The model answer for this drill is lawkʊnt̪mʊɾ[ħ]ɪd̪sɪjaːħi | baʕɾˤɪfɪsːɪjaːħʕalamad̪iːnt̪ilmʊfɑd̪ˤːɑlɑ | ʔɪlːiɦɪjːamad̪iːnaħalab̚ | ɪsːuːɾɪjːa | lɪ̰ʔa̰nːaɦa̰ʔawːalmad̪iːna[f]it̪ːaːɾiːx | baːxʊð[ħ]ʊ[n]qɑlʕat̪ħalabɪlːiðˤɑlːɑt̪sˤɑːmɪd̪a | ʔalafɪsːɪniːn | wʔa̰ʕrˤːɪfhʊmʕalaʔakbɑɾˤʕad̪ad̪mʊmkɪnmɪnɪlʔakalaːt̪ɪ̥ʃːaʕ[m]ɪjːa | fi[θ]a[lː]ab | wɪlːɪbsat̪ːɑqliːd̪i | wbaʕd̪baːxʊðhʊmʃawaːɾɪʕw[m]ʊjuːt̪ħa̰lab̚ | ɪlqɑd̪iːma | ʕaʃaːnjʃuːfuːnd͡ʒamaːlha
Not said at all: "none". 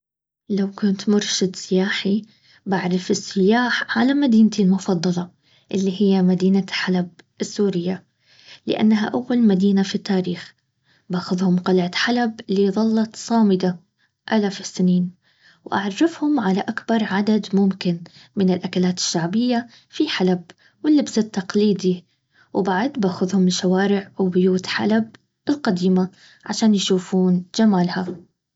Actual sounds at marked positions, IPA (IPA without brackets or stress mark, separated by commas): ʃ, f, h, m, b, ħ, l, b